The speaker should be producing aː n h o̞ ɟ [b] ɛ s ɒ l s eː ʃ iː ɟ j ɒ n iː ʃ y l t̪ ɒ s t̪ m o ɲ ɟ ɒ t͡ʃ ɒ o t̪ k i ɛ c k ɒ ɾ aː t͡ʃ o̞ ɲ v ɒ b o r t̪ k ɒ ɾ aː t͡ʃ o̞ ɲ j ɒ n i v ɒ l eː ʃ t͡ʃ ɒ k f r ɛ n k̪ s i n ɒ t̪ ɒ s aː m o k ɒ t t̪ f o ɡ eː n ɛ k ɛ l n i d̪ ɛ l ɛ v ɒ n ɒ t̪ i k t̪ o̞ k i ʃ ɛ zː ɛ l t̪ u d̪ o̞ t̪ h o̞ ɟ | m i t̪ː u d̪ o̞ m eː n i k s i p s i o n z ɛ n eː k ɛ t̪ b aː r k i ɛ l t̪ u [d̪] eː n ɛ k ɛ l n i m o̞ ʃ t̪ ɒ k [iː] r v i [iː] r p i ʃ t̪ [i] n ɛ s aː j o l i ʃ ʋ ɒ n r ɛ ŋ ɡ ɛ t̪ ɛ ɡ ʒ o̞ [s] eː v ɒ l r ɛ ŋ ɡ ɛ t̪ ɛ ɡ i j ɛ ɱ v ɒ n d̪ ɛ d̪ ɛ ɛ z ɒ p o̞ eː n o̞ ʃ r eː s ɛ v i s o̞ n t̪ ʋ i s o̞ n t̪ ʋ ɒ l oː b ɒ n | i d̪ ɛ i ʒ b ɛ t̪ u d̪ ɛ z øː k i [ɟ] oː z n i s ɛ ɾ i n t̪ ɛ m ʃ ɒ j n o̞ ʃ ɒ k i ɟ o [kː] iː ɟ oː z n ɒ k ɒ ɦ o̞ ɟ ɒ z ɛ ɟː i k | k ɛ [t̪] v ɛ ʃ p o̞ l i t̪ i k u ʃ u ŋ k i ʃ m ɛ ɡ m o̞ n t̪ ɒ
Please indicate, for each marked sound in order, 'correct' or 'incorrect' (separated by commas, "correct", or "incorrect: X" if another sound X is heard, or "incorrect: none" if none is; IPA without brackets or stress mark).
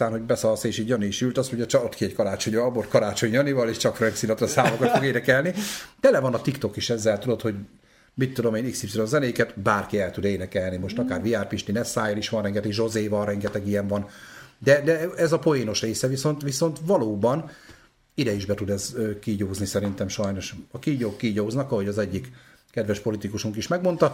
correct, correct, incorrect: aː, incorrect: aː, correct, incorrect: z, correct, correct, incorrect: d̪